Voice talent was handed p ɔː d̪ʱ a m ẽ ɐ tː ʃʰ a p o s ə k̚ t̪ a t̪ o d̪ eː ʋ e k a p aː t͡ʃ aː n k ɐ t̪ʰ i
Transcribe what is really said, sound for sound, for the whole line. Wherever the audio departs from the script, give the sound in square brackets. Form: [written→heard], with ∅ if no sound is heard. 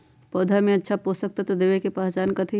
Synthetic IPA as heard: p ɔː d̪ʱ a m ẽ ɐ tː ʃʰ a p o s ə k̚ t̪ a t̪ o d̪ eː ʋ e k [a→e] p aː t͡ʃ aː n k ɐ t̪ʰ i